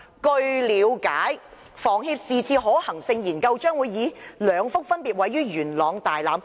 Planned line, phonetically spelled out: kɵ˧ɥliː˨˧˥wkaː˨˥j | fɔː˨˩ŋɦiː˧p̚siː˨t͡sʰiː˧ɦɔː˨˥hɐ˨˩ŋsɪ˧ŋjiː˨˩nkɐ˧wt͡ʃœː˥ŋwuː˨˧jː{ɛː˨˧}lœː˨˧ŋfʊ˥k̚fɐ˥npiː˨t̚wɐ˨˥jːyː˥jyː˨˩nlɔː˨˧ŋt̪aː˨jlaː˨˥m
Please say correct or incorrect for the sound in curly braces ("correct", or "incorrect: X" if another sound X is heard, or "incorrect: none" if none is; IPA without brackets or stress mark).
incorrect: iː˨˧